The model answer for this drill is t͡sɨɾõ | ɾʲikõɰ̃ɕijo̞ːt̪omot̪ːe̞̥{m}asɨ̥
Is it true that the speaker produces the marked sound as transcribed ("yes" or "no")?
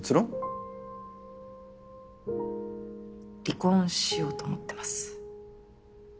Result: yes